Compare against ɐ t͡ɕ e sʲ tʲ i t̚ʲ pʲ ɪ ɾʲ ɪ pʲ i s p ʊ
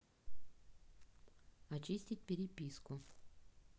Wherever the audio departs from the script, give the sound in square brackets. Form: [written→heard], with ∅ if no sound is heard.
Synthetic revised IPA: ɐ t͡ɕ [e→i] sʲ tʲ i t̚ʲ pʲ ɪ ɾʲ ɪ pʲ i s [p→k] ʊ

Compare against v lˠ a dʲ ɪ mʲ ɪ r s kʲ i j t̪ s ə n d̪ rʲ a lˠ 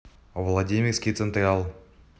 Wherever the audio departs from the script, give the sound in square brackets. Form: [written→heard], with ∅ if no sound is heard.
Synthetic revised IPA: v lˠ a dʲ [ɪ→i] mʲ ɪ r s kʲ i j t̪ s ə n [d̪→t̪] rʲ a lˠ

